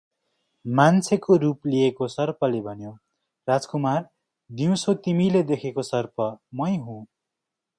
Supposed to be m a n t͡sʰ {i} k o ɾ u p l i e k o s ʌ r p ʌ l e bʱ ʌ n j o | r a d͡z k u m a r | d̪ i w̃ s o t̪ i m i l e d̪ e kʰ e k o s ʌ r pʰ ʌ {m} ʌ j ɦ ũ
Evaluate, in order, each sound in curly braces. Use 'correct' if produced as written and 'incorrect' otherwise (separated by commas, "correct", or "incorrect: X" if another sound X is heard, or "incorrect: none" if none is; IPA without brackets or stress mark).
incorrect: e, correct